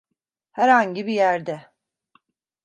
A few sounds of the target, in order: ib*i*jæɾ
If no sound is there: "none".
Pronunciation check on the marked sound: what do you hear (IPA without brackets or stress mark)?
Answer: i